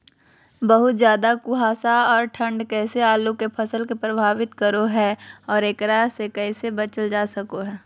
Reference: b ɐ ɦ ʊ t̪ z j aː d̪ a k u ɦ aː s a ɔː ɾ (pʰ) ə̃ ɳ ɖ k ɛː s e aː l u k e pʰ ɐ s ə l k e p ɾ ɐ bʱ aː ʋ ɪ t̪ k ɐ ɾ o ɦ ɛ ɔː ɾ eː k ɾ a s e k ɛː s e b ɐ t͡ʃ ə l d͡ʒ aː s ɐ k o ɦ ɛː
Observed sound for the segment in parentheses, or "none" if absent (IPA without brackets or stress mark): ʈʰ